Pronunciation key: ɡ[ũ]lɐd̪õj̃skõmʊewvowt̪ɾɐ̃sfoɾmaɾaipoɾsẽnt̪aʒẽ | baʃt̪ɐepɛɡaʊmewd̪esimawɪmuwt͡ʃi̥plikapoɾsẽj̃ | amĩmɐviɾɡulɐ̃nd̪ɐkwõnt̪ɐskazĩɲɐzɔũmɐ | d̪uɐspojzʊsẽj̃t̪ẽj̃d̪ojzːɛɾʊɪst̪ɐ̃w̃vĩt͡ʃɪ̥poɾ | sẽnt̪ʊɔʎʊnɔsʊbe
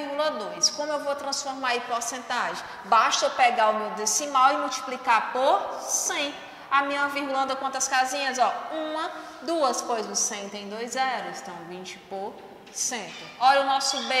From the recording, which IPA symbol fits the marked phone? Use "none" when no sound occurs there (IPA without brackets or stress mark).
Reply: u